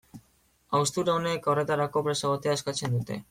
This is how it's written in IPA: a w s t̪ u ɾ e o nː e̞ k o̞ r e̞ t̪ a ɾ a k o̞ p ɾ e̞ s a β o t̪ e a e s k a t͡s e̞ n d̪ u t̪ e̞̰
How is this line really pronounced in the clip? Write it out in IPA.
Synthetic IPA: a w s t̪ u ɾ a o n e̞ k o̞ r e̞ t̪ a ɾ a k o̞ p ɾ e̞ s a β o t̪ e a e s k a t͡s e̞ n d̪ u t̪ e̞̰